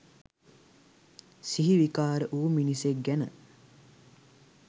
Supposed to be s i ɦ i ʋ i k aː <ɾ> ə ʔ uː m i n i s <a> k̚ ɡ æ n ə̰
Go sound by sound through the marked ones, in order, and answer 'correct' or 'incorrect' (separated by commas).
correct, incorrect